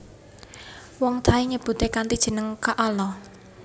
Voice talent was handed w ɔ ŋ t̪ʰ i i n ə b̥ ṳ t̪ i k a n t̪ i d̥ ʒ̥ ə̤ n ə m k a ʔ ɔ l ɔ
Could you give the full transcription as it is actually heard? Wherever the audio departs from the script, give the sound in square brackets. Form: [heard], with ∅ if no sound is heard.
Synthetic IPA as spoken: w ɔ ŋ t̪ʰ [a] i [ɲ] ə b̥ ṳ t̪ [e] k a n t̪ i d̥ ʒ̥ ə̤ n ə [ŋ] k a ʔ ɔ l ɔ